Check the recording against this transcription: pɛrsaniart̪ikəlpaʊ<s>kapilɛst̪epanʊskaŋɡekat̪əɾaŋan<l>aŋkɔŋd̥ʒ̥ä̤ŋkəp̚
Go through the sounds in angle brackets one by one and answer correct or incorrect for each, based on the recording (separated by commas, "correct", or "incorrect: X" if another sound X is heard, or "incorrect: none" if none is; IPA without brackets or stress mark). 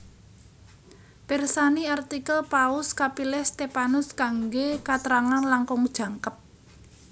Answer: correct, correct